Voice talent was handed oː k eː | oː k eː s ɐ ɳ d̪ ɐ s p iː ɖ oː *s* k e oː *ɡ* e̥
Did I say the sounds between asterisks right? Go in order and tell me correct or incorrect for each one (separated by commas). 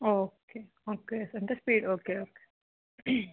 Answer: incorrect, incorrect